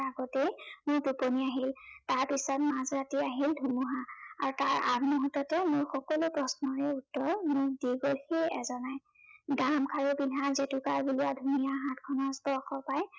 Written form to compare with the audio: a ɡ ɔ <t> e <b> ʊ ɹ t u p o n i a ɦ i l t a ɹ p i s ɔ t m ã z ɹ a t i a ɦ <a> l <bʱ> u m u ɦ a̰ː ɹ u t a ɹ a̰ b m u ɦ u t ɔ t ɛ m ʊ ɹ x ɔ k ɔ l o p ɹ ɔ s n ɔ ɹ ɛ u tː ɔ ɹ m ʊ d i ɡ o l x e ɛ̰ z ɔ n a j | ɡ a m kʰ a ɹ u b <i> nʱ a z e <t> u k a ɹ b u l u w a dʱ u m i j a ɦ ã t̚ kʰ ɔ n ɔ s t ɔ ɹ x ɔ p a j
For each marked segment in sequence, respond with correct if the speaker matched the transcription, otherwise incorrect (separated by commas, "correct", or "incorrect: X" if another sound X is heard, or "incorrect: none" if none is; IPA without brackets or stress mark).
correct, incorrect: m, incorrect: i, incorrect: dʱ, correct, correct